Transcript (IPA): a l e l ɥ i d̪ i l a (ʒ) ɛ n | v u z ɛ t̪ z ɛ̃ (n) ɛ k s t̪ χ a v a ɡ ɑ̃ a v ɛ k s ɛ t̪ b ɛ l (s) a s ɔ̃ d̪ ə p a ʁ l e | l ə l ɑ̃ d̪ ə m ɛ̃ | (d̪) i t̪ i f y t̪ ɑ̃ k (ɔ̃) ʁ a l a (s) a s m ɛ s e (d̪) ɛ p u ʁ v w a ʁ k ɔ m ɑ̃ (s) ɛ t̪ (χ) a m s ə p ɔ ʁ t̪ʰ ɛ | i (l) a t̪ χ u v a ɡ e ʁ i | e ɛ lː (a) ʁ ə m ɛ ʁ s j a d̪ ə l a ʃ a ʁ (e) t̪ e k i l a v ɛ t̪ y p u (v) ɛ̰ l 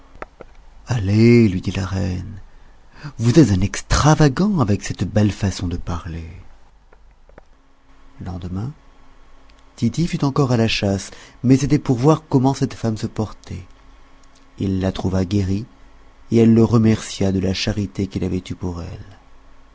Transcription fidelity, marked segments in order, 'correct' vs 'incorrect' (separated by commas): incorrect, correct, incorrect, incorrect, incorrect, incorrect, incorrect, correct, incorrect, incorrect, incorrect, incorrect, incorrect